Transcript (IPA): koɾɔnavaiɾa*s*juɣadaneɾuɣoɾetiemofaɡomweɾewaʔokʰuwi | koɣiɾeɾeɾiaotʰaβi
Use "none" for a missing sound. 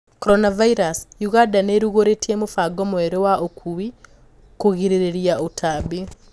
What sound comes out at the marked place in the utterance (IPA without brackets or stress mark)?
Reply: s